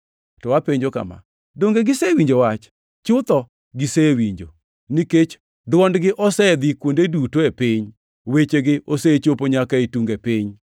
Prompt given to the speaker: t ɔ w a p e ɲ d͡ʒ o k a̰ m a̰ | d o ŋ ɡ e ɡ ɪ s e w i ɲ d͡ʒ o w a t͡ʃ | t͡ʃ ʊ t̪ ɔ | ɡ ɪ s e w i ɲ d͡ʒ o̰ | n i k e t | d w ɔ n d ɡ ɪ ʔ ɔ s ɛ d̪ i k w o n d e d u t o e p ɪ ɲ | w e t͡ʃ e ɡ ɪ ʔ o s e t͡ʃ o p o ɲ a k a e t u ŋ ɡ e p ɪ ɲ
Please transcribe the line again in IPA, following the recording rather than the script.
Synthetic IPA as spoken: t ɔ w a p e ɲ d͡ʒ o k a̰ m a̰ | d o ŋ ɡ e ɡ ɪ s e w i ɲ d͡ʒ o w a t͡ʃ | t͡ʃ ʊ t̪ ɔ | ɡ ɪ s e w i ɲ d͡ʒ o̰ | n i k e t͡ʃ | d w ɔ n d ɡ ɪ ʔ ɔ s ɛ d̪ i k w o n d e d u t o e p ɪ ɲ | w e t͡ʃ e ɡ ɪ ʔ o s e t͡ʃ o p o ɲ a k a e t u ŋ ɡ e p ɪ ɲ